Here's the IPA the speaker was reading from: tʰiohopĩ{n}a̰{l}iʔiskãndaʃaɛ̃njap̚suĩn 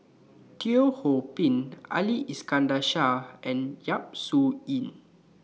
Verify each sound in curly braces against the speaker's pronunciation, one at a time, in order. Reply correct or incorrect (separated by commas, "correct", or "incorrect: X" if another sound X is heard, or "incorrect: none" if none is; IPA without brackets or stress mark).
correct, correct